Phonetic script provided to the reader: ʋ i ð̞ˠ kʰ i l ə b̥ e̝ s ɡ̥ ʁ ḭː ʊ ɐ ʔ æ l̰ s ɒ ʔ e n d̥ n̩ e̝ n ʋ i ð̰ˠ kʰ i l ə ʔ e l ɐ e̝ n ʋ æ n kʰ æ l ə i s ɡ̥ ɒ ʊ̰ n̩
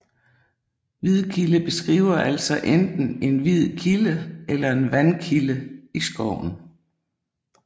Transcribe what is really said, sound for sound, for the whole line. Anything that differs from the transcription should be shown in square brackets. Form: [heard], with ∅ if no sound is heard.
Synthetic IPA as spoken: ʋ i ð̞ˠ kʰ i l ə b̥ e̝ s ɡ̥ ʁ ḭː ʊ ɐ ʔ æ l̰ s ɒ ʔ e n d̥ n̩ e̝ n ʋ i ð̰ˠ kʰ i l ə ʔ e l ɐ e̝ n ʋ æ n kʰ [i] l ə i s ɡ̥ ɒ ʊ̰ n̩